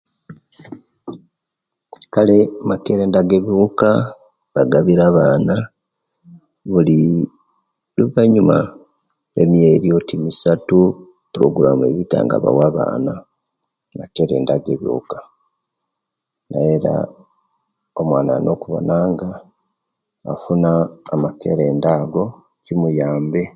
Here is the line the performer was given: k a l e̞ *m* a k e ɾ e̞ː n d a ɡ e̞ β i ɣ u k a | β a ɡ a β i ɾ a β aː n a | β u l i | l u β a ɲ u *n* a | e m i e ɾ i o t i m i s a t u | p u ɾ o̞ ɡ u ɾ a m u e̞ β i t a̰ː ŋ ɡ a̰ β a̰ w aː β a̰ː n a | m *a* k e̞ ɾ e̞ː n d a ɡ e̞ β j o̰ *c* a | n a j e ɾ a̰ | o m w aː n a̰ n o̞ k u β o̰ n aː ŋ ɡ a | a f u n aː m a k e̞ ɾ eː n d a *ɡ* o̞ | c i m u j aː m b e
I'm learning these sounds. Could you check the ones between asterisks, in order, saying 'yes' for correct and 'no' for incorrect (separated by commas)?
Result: yes, no, yes, no, yes